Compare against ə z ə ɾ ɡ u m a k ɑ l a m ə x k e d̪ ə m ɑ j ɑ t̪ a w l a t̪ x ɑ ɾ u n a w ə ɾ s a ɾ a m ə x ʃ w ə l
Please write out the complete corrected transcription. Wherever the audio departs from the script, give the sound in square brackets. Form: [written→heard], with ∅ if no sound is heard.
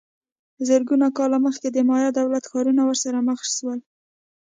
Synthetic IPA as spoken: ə z ə ɾ ɡ u [m→n] a k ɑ l a m ə x k e d̪ ə m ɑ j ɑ [t̪→d̪] a w l a t̪ x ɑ ɾ u n a w ə ɾ s a ɾ a m ə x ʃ w ə l